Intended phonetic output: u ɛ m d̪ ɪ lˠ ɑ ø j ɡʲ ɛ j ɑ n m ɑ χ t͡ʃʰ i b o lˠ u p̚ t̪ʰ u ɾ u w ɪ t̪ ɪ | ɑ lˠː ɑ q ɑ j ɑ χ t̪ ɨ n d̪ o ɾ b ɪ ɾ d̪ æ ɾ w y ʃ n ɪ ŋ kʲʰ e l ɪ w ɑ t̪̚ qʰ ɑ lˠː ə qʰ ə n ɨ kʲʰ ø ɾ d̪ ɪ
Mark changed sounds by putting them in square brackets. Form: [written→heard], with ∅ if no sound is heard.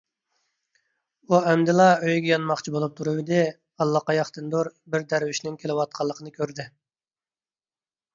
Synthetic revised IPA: u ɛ m d̪ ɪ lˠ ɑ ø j ɡʲ ɛ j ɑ n m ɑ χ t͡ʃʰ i b o lˠ u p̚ t̪ʰ u ɾ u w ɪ [t̪→d̪] ɪ | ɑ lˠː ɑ q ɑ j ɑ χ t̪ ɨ n d̪ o ɾ b ɪ ɾ d̪ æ ɾ w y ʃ n ɪ ŋ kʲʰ e l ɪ w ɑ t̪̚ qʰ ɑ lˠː ə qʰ ə n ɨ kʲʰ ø ɾ d̪ ɪ